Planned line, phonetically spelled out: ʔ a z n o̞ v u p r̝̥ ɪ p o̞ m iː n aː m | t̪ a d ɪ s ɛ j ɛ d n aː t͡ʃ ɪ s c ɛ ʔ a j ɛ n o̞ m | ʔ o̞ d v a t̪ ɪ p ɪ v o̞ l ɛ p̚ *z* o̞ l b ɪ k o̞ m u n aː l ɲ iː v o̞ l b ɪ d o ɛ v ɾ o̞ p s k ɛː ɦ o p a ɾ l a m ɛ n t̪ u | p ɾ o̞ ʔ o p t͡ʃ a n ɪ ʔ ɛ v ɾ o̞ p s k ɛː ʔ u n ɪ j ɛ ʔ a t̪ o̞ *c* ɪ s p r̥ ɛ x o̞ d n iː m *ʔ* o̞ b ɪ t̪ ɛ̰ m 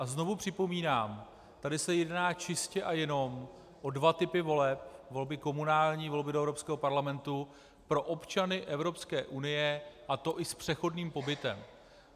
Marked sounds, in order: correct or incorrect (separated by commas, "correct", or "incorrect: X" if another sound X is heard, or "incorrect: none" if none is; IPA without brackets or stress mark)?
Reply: incorrect: v, incorrect: ʔ, incorrect: p